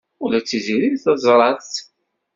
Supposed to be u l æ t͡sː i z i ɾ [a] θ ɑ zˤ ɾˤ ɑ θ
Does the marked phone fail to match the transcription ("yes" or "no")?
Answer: yes